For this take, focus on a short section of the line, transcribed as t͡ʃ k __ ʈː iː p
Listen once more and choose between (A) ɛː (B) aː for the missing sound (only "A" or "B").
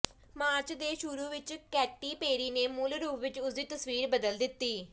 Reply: A